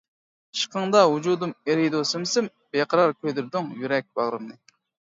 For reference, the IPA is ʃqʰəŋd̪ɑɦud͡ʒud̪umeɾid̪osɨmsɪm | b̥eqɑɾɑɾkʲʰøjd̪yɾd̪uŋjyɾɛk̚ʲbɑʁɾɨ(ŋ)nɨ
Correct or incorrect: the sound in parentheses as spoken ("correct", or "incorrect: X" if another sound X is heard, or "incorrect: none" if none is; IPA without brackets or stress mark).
incorrect: m